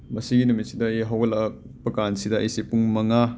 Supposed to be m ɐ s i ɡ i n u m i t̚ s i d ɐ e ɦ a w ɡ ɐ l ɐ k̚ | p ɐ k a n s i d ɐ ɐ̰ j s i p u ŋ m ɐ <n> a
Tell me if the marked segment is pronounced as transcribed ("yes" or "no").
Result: no